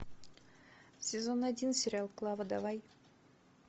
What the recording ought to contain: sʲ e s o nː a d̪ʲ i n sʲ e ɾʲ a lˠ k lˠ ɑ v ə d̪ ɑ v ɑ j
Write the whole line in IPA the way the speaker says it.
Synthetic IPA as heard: sʲ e z o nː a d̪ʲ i n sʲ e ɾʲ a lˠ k lˠ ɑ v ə d̪ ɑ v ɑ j